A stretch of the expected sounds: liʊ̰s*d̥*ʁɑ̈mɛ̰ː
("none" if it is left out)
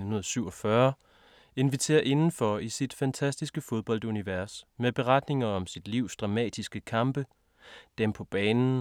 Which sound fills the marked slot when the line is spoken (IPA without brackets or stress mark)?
d̥